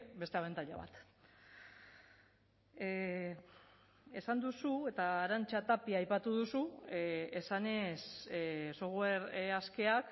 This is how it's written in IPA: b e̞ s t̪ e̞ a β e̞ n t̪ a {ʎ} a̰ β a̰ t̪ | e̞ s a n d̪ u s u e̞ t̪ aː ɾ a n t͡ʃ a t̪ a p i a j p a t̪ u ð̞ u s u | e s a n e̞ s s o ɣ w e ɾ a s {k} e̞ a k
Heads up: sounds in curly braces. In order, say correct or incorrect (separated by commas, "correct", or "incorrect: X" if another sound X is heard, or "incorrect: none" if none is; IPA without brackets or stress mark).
correct, correct